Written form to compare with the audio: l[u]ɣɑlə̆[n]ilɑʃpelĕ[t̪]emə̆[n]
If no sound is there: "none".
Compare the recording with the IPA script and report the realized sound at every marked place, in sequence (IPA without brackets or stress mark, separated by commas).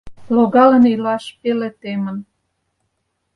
o, n, t̪, n